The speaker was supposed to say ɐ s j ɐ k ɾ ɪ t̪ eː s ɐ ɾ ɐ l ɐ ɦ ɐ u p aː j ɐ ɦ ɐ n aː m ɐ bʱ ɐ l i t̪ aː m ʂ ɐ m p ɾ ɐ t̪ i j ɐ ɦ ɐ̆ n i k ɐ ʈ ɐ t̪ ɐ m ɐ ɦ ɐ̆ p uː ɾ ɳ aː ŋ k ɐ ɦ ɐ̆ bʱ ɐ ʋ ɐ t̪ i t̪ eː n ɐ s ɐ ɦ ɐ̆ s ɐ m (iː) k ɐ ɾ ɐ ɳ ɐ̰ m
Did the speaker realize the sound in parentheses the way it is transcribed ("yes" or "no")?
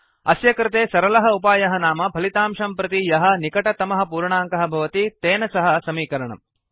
yes